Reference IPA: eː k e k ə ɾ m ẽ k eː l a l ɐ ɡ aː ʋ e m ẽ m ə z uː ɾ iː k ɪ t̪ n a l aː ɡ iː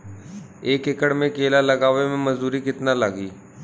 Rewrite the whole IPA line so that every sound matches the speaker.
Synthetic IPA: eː k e k ə ɽ m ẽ k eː l a l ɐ ɡ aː ʋ e m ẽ m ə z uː ɾ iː k ɪ t̪ n a l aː ɡ iː